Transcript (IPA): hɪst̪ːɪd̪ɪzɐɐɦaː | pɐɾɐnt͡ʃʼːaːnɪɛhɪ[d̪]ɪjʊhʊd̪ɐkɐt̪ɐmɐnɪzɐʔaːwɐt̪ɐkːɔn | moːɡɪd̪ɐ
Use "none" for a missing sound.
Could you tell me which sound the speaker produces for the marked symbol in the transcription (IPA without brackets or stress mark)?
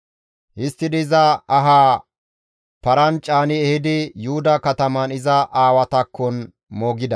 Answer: d̪